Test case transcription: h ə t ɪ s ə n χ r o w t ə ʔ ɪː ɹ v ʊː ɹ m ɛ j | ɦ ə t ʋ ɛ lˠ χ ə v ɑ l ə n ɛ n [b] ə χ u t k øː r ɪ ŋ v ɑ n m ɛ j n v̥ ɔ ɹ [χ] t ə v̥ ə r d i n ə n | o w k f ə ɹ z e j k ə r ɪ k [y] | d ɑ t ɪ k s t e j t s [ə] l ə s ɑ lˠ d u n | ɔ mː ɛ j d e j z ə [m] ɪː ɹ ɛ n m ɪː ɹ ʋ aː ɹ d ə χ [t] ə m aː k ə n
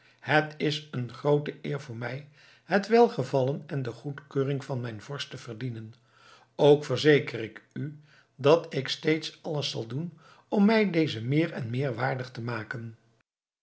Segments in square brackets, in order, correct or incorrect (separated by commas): incorrect, incorrect, correct, incorrect, correct, correct